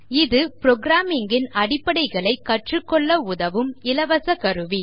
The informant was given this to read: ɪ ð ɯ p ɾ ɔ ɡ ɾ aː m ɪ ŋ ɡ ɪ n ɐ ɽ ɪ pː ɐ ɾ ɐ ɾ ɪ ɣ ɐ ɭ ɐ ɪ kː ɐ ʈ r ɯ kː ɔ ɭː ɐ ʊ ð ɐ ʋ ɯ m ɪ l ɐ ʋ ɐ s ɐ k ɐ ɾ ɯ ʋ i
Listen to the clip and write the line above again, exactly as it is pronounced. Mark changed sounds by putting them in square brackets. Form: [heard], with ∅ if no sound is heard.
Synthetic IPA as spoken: ɪ ð ɯ p ɾ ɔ ɡ ɾ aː m ɪ ŋ ɡ ɪ n ɐ ɽ ɪ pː ɐ [ɽ] ɐ [∅] ɪ ɣ ɐ ɭ ɐ ɪ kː ɐ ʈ r ɯ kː ɔ ɭː ɐ ʊ ð ɐ ʋ ɯ m ɪ l ɐ ʋ ɐ s ɐ k ɐ ɾ ɯ ʋ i